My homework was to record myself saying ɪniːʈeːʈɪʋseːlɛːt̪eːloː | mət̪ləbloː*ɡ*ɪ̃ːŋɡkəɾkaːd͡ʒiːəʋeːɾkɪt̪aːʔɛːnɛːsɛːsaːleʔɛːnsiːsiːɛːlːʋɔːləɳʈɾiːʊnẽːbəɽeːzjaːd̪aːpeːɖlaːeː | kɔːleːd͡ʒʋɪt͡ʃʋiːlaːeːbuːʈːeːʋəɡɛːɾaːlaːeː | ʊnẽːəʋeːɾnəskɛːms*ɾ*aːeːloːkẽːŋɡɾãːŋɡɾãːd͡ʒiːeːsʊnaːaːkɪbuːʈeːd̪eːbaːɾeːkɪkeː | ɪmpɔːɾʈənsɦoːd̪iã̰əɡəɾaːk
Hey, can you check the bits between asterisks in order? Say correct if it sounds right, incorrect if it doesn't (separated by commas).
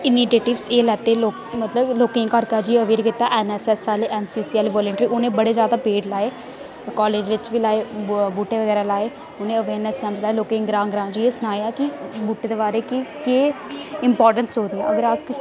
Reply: incorrect, incorrect